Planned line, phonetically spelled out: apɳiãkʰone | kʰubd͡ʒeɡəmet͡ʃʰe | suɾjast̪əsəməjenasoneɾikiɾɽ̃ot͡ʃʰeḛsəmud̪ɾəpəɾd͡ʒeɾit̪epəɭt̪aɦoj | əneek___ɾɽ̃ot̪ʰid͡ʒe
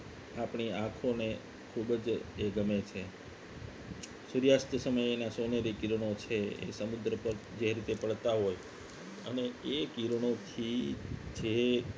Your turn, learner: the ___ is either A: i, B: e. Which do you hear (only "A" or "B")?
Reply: A